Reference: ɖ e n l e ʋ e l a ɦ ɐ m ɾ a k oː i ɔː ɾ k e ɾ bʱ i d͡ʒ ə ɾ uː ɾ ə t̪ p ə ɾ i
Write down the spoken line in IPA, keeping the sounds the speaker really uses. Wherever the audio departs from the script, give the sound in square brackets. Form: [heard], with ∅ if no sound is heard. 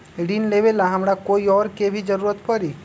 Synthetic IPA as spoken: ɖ [i] n l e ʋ e l a ɦ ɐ m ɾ a k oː i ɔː ɾ k e [∅] bʱ i d͡ʒ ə ɾ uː ɾ ə t̪ p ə ɾ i